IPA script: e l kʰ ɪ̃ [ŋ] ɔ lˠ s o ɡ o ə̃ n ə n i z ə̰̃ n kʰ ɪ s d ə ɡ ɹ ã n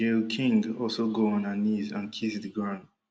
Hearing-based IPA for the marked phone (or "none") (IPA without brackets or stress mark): ŋ